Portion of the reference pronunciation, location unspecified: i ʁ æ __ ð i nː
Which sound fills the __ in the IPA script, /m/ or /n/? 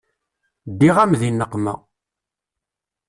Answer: m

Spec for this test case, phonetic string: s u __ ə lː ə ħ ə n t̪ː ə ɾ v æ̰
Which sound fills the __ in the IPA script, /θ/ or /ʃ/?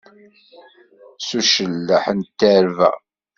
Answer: ʃ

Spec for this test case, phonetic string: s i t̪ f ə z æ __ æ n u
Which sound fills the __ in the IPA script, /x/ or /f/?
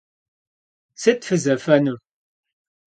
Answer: f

